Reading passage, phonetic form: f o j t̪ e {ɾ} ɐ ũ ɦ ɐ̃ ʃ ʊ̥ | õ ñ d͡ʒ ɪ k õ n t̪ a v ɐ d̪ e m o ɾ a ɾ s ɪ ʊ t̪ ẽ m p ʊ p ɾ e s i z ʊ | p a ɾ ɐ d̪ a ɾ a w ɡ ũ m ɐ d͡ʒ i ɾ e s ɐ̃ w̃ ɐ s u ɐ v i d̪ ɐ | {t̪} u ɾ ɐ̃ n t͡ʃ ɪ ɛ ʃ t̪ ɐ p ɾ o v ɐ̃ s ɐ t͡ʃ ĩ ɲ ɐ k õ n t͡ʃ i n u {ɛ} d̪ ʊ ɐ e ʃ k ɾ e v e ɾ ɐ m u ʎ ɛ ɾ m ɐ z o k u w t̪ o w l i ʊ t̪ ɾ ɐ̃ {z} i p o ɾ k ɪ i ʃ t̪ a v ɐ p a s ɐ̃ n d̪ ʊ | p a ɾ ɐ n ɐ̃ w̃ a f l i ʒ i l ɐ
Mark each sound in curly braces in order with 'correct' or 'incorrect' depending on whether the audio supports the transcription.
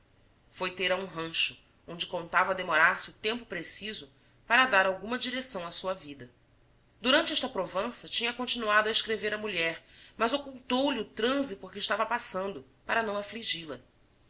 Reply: correct, incorrect: d̪, incorrect: a, correct

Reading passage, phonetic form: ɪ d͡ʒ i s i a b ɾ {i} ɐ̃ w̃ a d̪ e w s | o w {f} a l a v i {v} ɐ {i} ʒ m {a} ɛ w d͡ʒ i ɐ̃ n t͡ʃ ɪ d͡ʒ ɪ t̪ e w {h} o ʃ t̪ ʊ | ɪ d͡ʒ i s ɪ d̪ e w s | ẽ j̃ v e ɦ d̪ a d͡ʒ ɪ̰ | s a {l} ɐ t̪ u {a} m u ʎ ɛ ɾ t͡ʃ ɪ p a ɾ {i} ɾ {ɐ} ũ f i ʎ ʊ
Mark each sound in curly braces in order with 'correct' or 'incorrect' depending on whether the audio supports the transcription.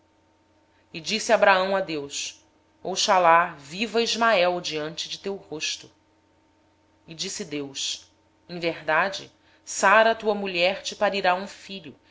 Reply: incorrect: a, incorrect: ʃ, correct, correct, correct, correct, incorrect: ɾ, incorrect: ɐ, correct, incorrect: a

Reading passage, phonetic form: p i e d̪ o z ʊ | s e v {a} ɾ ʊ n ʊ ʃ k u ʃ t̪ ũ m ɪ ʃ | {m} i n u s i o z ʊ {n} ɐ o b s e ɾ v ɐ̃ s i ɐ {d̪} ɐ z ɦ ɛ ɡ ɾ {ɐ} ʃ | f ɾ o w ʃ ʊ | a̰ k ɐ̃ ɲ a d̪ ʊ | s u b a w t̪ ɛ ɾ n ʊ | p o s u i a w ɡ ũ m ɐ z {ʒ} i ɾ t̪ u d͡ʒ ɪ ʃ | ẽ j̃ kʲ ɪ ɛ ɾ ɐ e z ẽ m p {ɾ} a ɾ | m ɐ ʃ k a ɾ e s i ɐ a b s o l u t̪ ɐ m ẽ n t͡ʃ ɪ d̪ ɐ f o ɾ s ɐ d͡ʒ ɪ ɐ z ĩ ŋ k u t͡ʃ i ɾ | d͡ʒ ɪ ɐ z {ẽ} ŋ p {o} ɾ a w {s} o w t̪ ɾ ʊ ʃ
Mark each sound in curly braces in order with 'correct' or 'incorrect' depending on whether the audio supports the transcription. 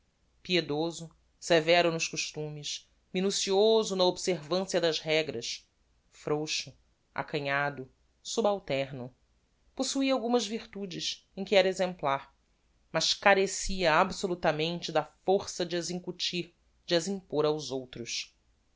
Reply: incorrect: ɛ, correct, correct, correct, correct, incorrect: v, incorrect: l, incorrect: ĩ, correct, incorrect: z

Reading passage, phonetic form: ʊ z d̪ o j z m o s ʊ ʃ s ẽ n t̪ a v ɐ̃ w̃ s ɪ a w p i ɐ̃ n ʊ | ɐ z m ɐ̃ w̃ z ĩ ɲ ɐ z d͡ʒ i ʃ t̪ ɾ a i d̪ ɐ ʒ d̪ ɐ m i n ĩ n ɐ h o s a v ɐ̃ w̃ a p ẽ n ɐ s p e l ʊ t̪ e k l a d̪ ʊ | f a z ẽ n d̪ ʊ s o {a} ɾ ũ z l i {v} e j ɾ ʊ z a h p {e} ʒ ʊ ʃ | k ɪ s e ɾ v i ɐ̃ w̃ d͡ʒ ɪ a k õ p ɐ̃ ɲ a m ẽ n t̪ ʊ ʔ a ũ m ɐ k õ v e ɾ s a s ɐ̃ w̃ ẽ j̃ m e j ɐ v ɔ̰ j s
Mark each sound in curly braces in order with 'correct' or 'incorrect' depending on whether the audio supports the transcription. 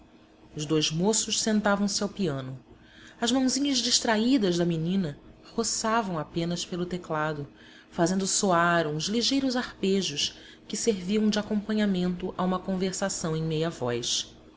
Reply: correct, incorrect: ʒ, correct

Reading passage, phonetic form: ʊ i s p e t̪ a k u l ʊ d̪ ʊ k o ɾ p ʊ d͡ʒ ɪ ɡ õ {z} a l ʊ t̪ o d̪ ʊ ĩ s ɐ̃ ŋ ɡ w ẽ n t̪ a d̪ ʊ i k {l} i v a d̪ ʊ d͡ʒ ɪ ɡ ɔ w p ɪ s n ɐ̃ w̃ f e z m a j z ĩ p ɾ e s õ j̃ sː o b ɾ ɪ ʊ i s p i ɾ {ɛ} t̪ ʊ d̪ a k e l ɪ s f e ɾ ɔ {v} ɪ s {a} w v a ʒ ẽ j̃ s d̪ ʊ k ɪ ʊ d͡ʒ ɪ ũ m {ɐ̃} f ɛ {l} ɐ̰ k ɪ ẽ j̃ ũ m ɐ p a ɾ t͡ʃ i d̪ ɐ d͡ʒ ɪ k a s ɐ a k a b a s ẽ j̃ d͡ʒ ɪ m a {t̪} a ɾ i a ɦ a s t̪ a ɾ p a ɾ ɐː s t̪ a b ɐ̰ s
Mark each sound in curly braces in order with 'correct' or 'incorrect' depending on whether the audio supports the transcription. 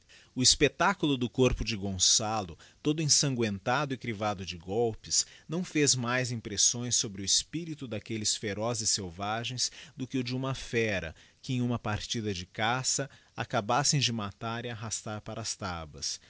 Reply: incorrect: s, incorrect: ɾ, incorrect: i, incorrect: z, incorrect: e, incorrect: ɐ, incorrect: ɾ, correct

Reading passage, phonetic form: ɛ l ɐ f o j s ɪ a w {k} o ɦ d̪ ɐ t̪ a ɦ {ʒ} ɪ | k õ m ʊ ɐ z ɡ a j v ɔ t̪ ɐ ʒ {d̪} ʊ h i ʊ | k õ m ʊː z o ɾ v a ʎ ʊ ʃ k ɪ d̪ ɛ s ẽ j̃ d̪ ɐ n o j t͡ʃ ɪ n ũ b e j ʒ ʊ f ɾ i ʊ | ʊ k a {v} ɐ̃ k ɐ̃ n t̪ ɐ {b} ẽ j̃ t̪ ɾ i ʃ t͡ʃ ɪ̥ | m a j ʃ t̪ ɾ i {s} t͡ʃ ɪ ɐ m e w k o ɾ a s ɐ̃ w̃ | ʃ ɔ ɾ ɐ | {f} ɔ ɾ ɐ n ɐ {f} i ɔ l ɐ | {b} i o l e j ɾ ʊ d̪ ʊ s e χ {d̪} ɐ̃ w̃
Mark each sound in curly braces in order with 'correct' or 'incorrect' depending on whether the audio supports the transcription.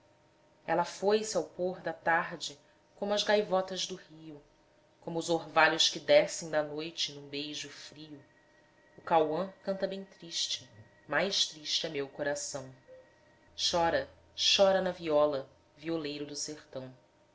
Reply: incorrect: p, incorrect: d͡ʒ, correct, incorrect: w, correct, incorrect: ʃ, incorrect: ʃ, incorrect: v, incorrect: v, incorrect: t̪

